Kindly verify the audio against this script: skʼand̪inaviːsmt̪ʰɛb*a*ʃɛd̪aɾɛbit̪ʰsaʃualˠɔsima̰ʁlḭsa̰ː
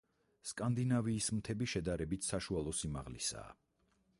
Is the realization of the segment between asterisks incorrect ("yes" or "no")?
yes